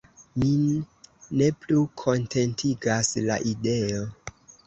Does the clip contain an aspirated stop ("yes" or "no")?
yes